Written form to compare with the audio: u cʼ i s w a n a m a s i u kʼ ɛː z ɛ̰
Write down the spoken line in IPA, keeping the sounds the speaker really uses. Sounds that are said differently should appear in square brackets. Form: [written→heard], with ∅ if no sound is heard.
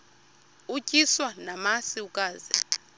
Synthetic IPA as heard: u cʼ i s w a n a m a s i u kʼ [ɛː→aː] z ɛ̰